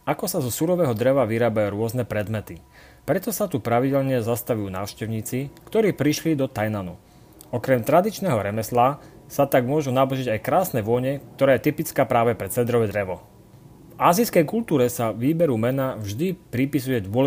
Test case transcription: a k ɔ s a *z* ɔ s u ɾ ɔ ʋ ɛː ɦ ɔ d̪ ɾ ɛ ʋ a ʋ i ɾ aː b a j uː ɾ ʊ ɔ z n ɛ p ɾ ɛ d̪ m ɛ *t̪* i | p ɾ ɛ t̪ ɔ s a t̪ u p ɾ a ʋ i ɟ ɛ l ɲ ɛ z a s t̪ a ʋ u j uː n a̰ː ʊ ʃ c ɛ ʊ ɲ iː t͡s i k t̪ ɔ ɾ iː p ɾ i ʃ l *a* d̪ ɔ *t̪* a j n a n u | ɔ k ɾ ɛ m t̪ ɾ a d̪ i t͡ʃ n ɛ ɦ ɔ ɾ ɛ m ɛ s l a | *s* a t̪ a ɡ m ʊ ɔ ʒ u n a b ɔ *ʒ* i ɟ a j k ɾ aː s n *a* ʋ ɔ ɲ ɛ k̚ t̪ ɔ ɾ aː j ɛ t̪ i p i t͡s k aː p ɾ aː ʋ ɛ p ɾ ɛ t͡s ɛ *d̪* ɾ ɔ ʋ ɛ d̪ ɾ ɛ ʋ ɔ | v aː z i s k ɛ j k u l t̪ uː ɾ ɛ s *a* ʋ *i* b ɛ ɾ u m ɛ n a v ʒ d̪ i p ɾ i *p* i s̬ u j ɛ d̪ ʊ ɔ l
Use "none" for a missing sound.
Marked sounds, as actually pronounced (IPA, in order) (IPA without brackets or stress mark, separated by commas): z, t̪, i, t̪, s, ʒ, ɛ, d̪, a, iː, p